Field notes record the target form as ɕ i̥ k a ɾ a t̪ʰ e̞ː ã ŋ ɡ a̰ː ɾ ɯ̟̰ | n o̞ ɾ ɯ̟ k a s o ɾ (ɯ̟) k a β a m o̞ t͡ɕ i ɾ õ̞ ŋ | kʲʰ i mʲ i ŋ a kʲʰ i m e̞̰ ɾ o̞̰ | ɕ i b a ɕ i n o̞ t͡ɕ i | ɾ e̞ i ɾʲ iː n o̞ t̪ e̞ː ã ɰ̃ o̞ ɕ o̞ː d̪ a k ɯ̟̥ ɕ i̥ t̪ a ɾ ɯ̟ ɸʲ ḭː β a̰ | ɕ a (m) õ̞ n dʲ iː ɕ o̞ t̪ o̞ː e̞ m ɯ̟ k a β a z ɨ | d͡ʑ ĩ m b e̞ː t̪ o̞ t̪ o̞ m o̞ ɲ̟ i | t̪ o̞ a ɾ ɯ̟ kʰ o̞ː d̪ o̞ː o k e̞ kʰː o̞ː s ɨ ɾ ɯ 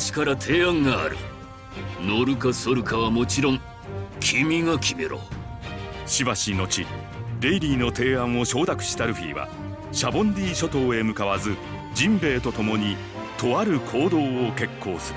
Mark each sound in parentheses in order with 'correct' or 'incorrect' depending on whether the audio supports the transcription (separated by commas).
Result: correct, incorrect